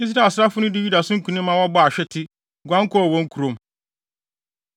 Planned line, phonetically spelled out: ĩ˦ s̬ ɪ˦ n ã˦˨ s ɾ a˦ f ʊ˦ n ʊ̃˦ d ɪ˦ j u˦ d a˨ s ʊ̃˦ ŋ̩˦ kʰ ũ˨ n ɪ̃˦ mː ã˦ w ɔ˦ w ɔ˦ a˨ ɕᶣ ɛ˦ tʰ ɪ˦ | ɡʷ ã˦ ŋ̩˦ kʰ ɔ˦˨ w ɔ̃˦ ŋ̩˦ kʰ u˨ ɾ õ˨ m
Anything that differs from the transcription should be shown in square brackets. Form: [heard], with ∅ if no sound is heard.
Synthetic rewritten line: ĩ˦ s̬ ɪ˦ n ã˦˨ s ɾ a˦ f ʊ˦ n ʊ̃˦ d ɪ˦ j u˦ d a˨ s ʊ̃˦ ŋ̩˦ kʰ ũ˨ n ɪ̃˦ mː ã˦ w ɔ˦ [b] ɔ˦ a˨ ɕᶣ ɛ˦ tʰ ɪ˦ | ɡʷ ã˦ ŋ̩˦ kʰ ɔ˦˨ w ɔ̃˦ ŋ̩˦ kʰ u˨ ɾ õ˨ m